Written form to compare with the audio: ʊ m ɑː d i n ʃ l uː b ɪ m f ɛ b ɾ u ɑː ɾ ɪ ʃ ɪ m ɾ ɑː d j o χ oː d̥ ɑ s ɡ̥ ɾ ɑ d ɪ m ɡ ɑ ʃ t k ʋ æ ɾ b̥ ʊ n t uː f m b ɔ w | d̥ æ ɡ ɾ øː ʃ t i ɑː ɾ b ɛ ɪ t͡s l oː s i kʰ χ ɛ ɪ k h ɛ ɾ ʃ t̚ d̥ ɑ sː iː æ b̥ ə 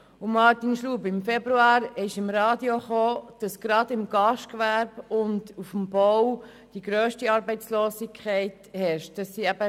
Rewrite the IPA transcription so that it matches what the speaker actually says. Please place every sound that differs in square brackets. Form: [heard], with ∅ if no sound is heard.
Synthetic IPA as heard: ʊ m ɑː [t] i n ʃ l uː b ɪ m f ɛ b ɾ u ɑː ɾ ɪ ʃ ɪ m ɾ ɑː d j o χ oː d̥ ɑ s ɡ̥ ɾ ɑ d ɪ m ɡ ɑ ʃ t k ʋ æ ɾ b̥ ʊ n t [u] f m b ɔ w | d̥ [i] ɡ ɾ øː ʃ t i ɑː ɾ b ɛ ɪ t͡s l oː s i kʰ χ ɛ ɪ [t] h ɛ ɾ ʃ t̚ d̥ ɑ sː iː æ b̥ ə